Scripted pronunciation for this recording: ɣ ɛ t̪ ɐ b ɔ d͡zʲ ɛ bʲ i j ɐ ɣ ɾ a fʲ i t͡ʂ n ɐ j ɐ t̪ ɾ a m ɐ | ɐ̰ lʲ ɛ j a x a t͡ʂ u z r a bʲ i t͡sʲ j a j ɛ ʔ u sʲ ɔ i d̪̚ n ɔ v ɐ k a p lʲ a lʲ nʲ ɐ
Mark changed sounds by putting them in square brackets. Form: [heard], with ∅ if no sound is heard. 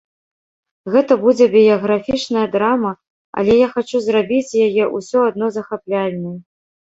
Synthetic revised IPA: ɣ ɛ t̪ ɐ b [u] d͡zʲ ɛ bʲ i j ɐ ɣ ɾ a fʲ i t͡ʂ n ɐ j ɐ [d̪] ɾ a m ɐ | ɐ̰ lʲ ɛ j a x a t͡ʂ u z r a bʲ i t͡sʲ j a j ɛ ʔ u sʲ ɔ [a] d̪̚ n ɔ [z] ɐ [x] a p lʲ a lʲ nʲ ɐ